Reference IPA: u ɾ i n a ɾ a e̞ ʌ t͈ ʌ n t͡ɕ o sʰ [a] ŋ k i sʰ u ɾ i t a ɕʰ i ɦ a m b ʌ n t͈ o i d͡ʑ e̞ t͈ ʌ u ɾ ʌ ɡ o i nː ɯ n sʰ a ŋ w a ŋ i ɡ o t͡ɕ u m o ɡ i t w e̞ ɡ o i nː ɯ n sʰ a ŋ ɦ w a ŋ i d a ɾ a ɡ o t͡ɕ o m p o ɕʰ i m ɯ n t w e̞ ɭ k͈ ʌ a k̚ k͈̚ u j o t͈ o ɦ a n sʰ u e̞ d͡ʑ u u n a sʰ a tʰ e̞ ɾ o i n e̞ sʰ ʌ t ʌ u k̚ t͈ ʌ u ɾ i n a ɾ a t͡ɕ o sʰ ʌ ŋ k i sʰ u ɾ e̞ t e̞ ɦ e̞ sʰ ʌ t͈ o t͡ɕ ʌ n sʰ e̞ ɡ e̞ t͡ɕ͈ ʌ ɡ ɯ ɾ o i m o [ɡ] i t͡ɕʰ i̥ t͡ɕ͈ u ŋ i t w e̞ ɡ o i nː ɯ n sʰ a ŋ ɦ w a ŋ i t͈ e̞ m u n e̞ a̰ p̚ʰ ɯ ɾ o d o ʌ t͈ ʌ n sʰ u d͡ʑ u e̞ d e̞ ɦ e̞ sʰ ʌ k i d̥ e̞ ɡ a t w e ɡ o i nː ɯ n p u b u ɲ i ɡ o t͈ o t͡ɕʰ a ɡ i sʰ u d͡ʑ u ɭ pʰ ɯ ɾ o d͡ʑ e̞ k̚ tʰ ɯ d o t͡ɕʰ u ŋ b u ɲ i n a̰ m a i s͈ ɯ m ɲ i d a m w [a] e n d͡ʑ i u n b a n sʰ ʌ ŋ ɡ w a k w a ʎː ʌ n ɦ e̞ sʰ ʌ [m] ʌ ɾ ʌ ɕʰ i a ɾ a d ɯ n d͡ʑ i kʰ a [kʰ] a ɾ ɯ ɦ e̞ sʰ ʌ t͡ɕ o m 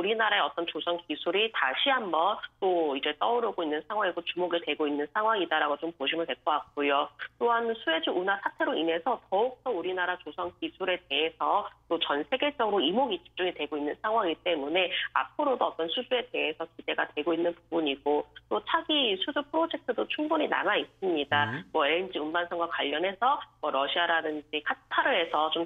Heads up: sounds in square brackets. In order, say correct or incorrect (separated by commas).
incorrect, correct, incorrect, correct, incorrect